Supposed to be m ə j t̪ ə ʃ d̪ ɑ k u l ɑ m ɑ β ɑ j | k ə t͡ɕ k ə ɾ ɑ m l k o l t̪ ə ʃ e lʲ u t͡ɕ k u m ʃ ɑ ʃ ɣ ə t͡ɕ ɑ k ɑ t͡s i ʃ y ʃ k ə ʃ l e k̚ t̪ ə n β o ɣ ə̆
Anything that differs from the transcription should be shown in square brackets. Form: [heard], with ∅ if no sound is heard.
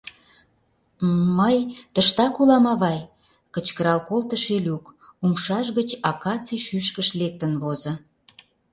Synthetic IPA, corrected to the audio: m ə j t̪ ə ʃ [t̪] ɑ k u l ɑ m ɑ β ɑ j | k ə t͡ɕ k ə ɾ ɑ [∅] l k o l t̪ ə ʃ e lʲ u [∅] k u m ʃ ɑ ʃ ɣ ə t͡ɕ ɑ k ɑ t͡s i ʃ y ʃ k ə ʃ l e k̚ t̪ ə n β o [z] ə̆

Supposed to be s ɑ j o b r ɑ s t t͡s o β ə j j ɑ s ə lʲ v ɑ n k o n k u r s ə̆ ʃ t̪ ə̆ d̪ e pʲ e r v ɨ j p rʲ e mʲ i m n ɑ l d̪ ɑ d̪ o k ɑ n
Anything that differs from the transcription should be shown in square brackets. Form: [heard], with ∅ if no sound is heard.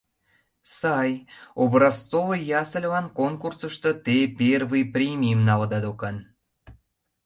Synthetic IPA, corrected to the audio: s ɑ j o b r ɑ s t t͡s o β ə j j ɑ s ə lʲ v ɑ n k o n k u r s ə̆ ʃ t̪ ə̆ [t̪] e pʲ e r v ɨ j p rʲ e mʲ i m n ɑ l d̪ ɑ d̪ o k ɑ n

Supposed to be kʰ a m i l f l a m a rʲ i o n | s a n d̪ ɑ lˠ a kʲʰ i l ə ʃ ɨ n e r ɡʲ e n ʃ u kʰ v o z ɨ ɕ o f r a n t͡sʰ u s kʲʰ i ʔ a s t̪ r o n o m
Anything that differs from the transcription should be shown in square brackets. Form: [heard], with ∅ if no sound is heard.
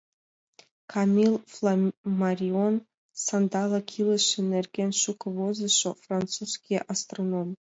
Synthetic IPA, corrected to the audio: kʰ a m i l f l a m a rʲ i o n | s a n d̪ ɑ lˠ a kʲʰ i l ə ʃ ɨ n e r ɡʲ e n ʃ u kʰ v o z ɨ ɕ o f r a n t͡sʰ u s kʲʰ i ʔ a s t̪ r o n o m

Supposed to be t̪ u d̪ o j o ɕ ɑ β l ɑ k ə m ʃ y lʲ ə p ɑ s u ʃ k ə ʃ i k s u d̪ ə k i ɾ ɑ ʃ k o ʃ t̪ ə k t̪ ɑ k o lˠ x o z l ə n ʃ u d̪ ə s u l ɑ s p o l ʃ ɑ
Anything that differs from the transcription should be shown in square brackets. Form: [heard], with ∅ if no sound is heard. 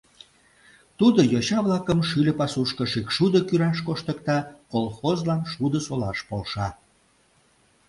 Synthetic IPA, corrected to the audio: t̪ u d̪ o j o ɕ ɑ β l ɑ k ə m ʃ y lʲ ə p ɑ s u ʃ k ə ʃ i k [ʃ] u d̪ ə k [y] ɾ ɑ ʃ k o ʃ t̪ ə k t̪ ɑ k o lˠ x o z l [ɑ] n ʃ u d̪ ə s [o] l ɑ [ʃ] p o l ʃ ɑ

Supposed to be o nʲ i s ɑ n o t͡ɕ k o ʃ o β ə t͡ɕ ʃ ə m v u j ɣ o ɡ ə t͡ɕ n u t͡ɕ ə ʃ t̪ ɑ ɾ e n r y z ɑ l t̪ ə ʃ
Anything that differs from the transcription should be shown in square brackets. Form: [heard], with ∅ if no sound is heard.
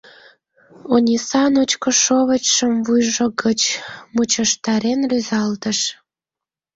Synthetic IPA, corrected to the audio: o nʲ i s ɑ n o t͡ɕ k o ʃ o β ə t͡ɕ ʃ ə m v u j [ʒ] o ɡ ə t͡ɕ [m] u t͡ɕ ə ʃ t̪ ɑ ɾ e n r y z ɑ l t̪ ə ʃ

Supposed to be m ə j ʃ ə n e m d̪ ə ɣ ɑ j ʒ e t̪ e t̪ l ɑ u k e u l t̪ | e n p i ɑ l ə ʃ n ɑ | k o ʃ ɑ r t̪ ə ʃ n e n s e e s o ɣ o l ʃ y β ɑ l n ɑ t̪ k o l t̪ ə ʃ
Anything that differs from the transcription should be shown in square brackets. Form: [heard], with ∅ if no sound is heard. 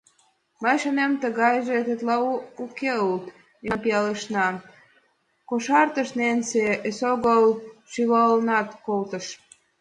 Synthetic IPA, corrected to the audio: m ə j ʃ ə n e m [t̪] ə ɣ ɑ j ʒ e t̪ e t̪ l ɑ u k e u l t̪ | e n p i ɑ l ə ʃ n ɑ | k o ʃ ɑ r t̪ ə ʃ n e n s e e s o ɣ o l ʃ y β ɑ l n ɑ t̪ k o l t̪ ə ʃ

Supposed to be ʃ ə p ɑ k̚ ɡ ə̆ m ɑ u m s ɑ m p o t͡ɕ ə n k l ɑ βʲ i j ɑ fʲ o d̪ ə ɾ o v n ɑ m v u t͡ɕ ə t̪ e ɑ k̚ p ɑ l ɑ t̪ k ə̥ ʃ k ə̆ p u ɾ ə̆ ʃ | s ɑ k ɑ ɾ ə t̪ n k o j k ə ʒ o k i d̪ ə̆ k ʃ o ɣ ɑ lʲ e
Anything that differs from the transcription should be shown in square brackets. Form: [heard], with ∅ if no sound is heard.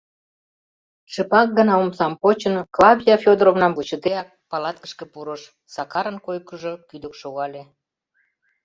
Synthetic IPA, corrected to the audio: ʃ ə p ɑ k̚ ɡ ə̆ [n] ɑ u m s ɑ m p o t͡ɕ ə n k l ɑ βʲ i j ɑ fʲ o d̪ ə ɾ o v n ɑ m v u t͡ɕ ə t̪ e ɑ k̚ p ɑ l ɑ t̪ k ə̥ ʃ k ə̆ p u ɾ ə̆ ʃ | s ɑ k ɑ ɾ ə [∅] n k o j k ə ʒ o k [y] d̪ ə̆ k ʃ o ɣ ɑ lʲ e

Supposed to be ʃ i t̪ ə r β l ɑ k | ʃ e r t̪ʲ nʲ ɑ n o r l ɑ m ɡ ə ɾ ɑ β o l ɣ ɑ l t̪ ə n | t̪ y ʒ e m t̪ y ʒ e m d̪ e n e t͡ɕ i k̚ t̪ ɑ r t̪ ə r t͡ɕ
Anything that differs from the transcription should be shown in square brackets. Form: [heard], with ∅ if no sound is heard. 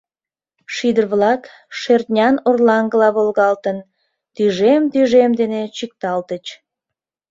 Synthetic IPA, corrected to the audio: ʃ i [d̪] ə r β l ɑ k | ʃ e r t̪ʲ nʲ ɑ n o r l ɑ [ŋ] ɡ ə [l] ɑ β o l ɣ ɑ l t̪ ə n | t̪ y ʒ e m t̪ y ʒ e m d̪ e n e t͡ɕ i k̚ t̪ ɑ [l] t̪ ə [∅] t͡ɕ

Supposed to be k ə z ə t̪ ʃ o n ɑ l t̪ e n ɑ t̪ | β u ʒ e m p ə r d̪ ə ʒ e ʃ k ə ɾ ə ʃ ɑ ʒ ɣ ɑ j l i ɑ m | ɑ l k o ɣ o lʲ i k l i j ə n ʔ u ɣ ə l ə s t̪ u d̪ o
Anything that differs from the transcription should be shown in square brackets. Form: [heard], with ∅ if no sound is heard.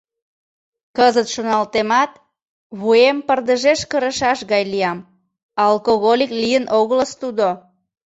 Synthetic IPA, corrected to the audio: k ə z ə t̪ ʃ o n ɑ l t̪ e [m] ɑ t̪ | β u [∅] e m p ə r d̪ ə ʒ e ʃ k ə ɾ ə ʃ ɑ [ʃ] ɣ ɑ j l i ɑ m | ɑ l k o ɣ o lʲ i k l i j ə n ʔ [o] ɣ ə l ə s t̪ u d̪ o

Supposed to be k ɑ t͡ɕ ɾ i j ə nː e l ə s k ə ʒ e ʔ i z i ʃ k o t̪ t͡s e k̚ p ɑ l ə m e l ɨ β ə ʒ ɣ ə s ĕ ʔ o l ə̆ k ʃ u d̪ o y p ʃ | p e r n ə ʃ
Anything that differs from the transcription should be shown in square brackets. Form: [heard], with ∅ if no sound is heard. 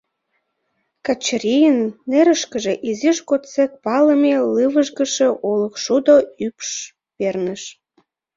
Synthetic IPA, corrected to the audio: k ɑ t͡ɕ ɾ i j ə nː e [ɾ] ə [ʃ] k ə ʒ e ʔ i z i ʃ k o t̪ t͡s e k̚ p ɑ l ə m e l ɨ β ə ʒ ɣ ə [ʃ] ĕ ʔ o l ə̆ k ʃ u d̪ o y p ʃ | p e r n ə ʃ

